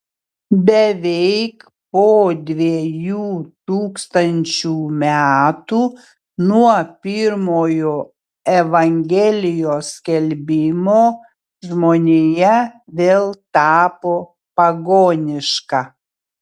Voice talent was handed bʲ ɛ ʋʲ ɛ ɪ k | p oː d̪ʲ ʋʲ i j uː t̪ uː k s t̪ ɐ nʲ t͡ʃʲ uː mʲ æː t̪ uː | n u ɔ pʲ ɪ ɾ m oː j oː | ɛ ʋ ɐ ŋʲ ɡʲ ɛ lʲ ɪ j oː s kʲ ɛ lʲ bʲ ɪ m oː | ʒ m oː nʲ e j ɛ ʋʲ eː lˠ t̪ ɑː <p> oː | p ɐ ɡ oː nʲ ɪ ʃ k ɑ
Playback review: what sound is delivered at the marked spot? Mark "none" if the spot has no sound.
p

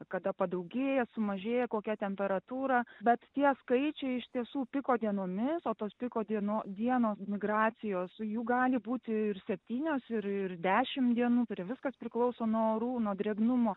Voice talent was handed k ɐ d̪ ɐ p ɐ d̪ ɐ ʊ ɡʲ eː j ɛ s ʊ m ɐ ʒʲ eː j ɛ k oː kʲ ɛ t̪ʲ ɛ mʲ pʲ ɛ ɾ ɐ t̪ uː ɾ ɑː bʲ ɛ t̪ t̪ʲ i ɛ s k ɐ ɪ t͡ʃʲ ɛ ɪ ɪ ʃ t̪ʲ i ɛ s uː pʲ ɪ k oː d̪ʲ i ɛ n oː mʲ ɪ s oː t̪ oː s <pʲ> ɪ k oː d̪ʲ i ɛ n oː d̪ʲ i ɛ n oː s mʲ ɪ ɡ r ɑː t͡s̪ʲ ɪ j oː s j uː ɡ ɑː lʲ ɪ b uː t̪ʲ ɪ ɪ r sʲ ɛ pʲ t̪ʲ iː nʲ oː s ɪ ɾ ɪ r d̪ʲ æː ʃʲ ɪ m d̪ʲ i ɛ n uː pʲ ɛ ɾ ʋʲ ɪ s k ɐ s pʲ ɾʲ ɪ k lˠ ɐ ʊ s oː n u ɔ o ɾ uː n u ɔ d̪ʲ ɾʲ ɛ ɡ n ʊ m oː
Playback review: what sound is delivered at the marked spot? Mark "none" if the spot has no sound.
pʲ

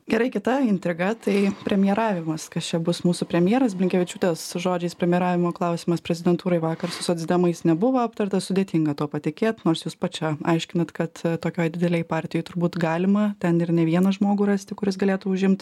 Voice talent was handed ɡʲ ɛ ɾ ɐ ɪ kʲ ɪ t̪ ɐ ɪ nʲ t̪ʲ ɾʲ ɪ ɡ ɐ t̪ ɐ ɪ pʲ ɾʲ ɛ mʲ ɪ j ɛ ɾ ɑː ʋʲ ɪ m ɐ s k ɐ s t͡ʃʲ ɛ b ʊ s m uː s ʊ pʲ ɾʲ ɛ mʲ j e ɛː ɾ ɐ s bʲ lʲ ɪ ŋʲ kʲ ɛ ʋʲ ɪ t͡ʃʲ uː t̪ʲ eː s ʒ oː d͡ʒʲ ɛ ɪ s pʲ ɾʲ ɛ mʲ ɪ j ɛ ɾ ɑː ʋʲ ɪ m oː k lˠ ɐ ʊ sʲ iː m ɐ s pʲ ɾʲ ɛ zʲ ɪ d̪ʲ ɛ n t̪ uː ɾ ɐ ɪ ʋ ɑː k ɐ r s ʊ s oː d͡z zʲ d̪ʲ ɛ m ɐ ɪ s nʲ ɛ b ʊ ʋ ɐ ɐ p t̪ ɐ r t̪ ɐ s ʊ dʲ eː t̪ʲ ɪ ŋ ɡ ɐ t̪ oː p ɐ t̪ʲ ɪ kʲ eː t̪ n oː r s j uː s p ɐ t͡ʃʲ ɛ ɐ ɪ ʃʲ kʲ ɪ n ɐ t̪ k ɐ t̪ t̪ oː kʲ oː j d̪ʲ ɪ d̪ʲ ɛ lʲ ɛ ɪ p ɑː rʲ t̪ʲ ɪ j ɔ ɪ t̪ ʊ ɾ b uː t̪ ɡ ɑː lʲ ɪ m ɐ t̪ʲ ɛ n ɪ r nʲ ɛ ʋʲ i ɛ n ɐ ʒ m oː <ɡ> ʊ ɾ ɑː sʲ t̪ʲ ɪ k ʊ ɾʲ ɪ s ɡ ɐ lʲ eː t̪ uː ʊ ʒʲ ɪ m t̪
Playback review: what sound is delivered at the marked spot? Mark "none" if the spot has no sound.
ɡ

